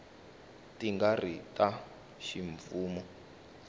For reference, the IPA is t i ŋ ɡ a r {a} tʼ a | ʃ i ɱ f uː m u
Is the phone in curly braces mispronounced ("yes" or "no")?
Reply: yes